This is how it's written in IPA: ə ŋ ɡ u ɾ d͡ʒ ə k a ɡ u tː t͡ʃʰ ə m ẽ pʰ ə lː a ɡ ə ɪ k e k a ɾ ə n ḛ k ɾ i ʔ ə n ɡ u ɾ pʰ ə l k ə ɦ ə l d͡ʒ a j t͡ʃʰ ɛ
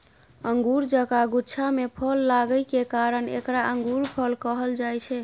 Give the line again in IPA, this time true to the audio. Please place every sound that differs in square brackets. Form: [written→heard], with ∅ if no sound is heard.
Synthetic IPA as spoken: ə ŋ ɡ u ɾ d͡ʒ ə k a ɡ u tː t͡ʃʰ [ə→a] m [ẽ→e] pʰ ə lː a ɡ ə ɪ k e k a ɾ ə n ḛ k ɾ [i→a] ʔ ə [n→ŋ] ɡ u ɾ pʰ ə l k ə ɦ ə l d͡ʒ a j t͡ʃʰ ɛ